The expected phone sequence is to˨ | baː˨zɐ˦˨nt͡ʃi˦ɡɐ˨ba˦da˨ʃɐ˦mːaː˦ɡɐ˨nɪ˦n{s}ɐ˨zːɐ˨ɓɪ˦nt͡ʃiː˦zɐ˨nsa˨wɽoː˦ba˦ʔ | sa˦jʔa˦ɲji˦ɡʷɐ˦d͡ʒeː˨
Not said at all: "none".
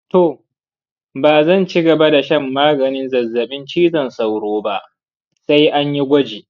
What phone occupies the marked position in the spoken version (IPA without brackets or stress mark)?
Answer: z